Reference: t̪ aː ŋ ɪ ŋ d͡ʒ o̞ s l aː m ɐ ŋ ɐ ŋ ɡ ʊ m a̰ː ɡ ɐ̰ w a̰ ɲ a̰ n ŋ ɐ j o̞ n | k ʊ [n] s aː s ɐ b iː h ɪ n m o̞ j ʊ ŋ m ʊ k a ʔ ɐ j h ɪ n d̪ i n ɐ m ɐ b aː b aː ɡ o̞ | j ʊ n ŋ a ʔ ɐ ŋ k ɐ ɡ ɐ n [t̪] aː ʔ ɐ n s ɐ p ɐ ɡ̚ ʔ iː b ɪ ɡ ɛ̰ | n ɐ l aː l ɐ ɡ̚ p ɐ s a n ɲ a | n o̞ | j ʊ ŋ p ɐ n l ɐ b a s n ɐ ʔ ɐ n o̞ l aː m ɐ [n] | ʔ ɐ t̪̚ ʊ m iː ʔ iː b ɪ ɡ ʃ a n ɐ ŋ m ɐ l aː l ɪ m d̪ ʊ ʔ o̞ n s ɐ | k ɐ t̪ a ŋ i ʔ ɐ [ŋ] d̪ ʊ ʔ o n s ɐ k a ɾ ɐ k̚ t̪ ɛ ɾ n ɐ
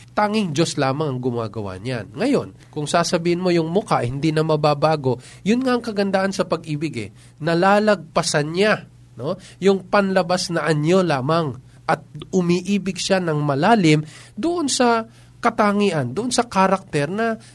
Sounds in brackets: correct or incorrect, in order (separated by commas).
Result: incorrect, incorrect, incorrect, incorrect